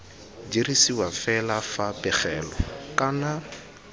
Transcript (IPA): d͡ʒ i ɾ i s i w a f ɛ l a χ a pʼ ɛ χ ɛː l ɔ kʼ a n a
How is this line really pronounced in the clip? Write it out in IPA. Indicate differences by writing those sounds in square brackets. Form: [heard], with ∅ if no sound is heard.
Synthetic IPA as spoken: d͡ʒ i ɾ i s i w a f ɛ l a [f] a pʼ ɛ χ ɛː l ɔ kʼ a n a